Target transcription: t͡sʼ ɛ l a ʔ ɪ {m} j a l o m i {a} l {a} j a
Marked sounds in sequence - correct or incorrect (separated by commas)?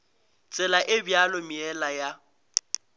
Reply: incorrect, incorrect, correct